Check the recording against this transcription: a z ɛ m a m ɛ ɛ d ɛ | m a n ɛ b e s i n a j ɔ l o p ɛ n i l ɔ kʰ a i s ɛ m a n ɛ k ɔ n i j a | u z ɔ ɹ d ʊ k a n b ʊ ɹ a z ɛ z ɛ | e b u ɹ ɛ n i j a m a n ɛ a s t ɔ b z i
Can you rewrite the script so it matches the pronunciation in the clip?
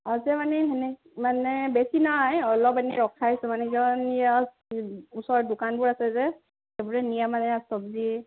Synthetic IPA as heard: a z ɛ m a n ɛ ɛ n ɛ | m a n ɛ b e s i n a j ɔ l ɔ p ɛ n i ɹ ɔ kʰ a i s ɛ m a n ɛ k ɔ n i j a | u s ɔ ɹ d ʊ k a n b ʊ ɹ a s ɛ z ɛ | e b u ɹ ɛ n i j a m a n ɛ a s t ɔ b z i